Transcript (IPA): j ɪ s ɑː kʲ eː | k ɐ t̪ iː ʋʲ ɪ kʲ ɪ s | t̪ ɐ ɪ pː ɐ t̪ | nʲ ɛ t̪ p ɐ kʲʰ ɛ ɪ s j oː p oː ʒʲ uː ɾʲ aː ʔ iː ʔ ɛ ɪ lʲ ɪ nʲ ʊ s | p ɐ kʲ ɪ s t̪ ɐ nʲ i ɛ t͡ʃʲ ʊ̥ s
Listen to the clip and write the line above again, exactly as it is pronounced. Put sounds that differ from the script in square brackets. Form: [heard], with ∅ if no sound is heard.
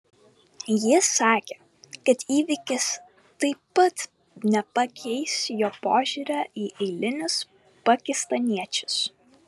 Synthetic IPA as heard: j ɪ s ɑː kʲ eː | k ɐ t̪ iː ʋʲ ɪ kʲ ɪ s | t̪ ɐ ɪ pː ɐ t̪ | nʲ ɛ [∅] p ɐ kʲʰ ɛ ɪ s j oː p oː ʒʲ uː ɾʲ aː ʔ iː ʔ ɛ ɪ lʲ ɪ nʲ ʊ s | p ɐ kʲ ɪ s t̪ ɐ nʲ i ɛ t͡ʃʲ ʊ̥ s